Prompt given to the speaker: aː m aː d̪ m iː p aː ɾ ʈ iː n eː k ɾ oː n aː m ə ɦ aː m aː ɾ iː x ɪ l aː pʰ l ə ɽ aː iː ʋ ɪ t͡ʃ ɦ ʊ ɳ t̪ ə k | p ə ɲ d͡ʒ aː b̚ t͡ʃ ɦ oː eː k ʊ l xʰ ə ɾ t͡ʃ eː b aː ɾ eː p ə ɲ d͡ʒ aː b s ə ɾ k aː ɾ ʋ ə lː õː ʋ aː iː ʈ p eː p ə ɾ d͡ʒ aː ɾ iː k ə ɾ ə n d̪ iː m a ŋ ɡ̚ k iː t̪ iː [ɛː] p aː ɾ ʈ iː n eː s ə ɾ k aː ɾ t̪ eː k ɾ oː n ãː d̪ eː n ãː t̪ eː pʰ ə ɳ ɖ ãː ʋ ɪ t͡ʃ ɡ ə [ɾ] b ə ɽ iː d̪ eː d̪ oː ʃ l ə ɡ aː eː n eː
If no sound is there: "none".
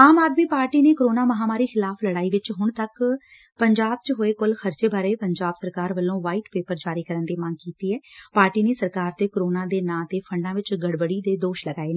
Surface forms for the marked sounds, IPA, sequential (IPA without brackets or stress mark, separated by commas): ɛː, ɽ